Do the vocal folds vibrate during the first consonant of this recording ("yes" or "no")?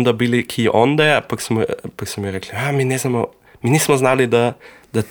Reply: yes